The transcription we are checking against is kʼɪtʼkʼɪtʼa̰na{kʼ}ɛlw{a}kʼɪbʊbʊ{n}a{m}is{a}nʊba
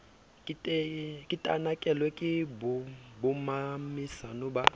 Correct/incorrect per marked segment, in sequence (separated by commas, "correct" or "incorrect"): correct, incorrect, incorrect, correct, correct